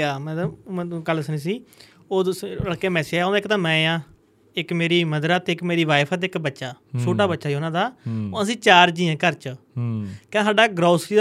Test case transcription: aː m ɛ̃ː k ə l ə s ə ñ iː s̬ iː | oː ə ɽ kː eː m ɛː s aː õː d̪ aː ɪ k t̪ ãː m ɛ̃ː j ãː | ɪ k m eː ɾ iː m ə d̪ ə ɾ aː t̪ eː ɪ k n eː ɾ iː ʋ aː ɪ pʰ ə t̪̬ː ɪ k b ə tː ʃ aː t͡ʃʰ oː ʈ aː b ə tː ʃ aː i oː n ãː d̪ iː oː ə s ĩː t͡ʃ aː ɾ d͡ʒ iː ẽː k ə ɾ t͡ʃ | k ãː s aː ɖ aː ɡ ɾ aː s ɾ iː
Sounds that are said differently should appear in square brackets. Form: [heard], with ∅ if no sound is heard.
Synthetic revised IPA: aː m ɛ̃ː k ə l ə s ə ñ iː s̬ iː | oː ə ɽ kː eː m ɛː s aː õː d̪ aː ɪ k t̪ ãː m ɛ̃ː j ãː | ɪ k m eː ɾ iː m ə d̪ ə ɾ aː t̪ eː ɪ k [m] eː ɾ iː ʋ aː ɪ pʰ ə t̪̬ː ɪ k b ə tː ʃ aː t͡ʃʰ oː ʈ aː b ə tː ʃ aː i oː n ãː d̪ [aː] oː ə s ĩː t͡ʃ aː ɾ d͡ʒ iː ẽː k ə ɾ t͡ʃ | k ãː s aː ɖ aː ɡ ɾ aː s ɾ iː